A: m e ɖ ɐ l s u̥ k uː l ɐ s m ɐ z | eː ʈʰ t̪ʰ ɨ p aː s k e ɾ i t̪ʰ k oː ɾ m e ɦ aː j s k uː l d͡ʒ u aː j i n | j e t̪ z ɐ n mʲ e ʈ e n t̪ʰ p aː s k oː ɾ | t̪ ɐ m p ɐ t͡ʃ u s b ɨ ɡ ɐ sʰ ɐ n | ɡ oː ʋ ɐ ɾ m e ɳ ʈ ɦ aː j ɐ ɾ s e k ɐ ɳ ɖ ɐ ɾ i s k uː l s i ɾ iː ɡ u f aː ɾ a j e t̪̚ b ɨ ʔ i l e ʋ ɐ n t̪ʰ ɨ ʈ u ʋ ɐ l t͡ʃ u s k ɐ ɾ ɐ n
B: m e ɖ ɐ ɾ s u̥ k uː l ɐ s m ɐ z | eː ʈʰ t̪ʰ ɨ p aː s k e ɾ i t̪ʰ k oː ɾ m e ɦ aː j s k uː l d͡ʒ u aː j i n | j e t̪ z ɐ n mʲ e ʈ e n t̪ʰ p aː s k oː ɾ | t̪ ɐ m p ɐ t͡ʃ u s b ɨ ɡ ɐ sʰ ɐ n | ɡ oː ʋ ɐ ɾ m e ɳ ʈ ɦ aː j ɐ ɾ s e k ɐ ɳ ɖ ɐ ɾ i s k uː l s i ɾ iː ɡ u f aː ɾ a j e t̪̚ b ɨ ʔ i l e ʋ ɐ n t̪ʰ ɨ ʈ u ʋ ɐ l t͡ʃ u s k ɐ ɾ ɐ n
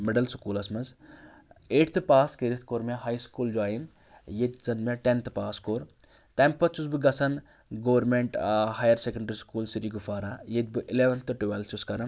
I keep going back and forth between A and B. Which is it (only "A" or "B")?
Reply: A